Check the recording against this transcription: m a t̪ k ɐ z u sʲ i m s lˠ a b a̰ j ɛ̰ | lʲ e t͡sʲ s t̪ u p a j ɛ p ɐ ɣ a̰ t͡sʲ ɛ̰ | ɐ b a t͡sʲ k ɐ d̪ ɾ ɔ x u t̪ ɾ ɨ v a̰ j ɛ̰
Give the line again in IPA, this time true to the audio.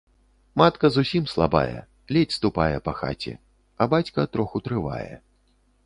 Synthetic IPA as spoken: m a t̪ k ɐ z u sʲ i m s lˠ a b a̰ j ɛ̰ | lʲ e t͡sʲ s t̪ u p a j ɛ p ɐ x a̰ t͡sʲ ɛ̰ | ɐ b a t͡sʲ k ɐ t̪ ɾ ɔ x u t̪ ɾ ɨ v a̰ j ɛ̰